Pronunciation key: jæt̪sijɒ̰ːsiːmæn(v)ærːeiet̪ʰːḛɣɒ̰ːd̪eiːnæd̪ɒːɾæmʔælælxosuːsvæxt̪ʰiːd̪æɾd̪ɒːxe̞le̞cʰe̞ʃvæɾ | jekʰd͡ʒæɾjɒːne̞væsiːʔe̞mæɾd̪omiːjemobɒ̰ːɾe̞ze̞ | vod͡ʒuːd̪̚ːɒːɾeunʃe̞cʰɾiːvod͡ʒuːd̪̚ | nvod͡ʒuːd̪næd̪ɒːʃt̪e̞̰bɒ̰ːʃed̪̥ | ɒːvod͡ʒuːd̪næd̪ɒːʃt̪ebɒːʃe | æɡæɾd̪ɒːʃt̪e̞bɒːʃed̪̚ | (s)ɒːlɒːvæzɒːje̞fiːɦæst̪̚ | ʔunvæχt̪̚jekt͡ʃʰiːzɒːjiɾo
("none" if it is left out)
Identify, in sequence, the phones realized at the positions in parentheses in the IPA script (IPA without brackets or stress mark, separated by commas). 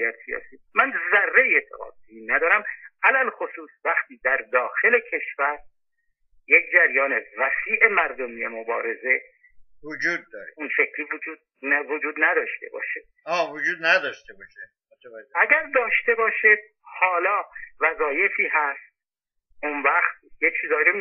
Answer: z, h